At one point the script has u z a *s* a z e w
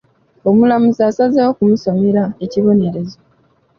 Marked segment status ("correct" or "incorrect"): correct